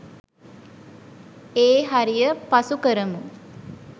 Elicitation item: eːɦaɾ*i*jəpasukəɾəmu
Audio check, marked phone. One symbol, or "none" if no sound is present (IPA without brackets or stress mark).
i